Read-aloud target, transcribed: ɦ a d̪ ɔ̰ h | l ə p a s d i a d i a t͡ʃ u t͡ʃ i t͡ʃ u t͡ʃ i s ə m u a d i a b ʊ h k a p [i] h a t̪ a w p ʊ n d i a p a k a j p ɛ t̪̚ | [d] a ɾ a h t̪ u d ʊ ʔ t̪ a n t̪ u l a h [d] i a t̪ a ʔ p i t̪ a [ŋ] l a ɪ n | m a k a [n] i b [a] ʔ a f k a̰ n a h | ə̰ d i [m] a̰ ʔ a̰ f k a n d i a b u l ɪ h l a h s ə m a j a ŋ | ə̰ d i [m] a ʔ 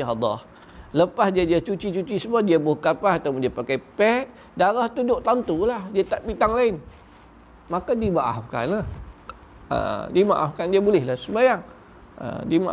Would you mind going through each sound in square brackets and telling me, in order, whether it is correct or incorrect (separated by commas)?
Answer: incorrect, correct, correct, correct, incorrect, correct, correct, correct